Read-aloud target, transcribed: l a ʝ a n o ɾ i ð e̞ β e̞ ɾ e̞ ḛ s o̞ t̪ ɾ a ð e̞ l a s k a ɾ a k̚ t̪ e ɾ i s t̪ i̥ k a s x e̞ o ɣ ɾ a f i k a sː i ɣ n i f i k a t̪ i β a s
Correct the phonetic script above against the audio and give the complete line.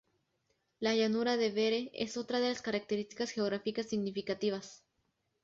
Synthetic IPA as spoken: l a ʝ a n u ɾ a ð e̞ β e̞ ɾ e̞ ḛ s o̞ t̪ ɾ a ð e̞ l a s k a ɾ a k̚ t̪ e ɾ i s t̪ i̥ k a s x e̞ o ɣ ɾ a f i k a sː i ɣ n i f i k a t̪ i β a s